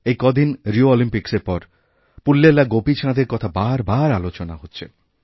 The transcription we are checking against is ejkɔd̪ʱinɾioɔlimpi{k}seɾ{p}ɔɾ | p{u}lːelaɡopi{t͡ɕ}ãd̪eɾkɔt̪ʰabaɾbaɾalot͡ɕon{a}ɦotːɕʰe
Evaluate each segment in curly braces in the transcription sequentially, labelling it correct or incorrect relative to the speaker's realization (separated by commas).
correct, correct, correct, incorrect, correct